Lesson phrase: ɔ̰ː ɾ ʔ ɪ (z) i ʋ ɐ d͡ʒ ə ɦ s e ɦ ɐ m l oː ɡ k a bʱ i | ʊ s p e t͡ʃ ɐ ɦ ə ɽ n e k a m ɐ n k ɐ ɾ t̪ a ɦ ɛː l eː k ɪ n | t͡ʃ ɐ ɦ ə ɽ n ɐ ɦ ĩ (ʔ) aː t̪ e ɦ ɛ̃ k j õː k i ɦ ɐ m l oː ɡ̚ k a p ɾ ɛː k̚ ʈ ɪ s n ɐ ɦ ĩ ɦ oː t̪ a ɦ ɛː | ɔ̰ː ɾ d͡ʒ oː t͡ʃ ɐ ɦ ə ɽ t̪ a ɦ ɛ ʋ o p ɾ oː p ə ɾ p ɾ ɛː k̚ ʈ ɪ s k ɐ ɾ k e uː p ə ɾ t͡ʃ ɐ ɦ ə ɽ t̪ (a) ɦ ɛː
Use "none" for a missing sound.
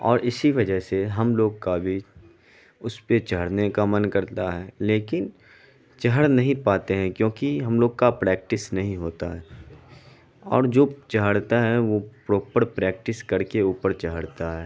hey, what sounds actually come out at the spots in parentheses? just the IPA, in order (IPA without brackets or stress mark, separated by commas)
s, p, a